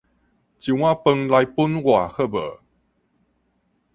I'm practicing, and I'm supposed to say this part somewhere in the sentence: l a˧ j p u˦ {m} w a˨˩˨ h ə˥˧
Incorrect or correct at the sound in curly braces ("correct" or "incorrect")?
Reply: incorrect